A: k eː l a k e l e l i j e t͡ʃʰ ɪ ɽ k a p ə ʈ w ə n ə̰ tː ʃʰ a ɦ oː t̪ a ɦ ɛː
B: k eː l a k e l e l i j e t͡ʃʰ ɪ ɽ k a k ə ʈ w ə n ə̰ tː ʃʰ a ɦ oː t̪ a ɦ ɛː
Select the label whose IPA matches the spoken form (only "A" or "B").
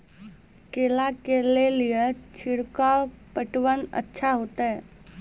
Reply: A